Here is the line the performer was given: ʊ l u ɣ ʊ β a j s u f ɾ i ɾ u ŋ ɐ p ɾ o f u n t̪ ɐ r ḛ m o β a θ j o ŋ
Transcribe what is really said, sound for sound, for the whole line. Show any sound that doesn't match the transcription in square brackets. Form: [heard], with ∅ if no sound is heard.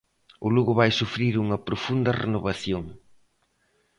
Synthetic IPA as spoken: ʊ l u ɣ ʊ β a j s u f ɾ i ɾ u ŋ ɐ p ɾ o f u n [d̪] ɐ r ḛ [n] o β a θ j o ŋ